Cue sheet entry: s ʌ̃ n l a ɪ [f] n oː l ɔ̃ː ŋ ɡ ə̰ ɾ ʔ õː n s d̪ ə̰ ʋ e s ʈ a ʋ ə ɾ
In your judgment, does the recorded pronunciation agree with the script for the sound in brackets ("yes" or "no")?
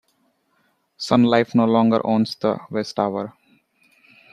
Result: yes